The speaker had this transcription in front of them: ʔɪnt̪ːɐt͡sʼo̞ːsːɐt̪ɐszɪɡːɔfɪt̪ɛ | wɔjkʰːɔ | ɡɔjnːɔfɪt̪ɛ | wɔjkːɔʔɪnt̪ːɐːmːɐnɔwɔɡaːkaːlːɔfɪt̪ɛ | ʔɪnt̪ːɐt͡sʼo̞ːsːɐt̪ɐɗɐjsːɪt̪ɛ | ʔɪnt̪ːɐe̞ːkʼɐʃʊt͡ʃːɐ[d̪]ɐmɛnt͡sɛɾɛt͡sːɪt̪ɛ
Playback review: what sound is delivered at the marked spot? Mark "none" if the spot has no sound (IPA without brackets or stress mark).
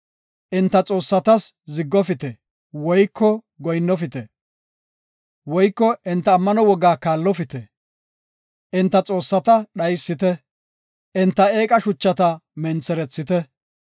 t̪